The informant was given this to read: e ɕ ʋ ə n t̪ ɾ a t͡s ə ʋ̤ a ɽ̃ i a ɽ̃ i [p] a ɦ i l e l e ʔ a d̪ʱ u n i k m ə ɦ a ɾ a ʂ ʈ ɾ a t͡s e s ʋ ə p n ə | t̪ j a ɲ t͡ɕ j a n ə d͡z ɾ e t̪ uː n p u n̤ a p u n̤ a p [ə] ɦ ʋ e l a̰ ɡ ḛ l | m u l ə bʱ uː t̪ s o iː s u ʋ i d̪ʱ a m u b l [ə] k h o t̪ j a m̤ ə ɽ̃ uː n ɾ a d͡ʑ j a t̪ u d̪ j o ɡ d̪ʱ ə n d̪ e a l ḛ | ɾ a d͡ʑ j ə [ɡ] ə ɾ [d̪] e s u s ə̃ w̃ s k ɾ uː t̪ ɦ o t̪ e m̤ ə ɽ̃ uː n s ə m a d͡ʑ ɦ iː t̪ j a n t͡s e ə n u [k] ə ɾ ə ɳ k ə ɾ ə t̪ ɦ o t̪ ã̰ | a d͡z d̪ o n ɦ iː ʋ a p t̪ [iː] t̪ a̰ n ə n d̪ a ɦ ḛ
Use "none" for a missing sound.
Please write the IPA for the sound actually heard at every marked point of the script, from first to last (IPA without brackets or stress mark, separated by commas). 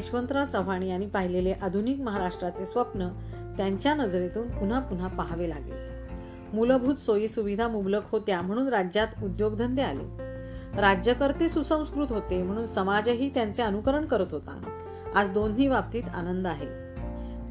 p, a, ə, k, t̪, k, iː